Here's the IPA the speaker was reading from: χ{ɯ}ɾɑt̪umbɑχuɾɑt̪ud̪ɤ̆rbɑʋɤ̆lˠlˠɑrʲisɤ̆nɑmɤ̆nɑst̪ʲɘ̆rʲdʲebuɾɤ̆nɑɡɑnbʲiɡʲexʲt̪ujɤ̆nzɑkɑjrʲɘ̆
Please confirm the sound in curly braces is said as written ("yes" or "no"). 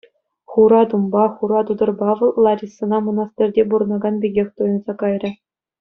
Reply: no